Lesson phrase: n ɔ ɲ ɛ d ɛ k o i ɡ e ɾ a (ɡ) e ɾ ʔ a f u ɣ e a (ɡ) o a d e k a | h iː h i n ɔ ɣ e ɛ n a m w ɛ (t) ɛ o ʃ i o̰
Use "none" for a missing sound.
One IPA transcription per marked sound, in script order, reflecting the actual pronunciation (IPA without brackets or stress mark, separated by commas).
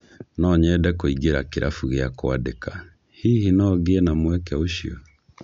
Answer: k, k, k